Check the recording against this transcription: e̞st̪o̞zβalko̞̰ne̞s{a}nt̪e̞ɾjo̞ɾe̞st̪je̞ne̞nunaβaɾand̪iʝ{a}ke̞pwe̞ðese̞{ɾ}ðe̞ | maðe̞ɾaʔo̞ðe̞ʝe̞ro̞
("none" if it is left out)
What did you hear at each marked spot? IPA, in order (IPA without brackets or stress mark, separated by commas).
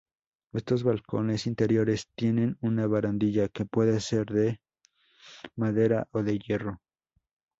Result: i, a, ɾ